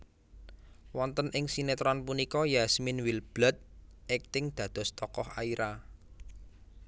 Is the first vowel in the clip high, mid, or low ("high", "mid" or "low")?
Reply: mid